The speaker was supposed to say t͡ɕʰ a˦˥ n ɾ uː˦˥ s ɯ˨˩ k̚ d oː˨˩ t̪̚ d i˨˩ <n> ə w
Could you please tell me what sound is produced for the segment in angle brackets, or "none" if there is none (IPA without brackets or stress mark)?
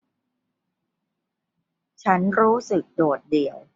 none